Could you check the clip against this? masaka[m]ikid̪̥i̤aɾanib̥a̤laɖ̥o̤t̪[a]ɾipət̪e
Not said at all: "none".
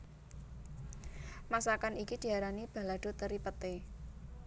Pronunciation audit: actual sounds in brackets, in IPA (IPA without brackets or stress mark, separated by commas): n, ə